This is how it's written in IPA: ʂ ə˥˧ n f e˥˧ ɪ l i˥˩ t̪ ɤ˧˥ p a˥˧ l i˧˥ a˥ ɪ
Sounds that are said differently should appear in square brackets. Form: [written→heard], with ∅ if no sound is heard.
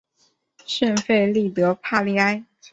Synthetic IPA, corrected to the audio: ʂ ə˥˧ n f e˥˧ ɪ l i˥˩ t̪ ɤ˧˥ [p→pʰ] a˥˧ l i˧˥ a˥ ɪ